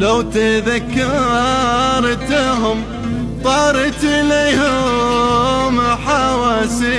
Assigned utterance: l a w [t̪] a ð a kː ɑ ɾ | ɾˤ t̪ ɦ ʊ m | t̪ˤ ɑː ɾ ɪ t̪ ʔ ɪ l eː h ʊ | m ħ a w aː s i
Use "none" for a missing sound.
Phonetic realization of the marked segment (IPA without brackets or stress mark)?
t̪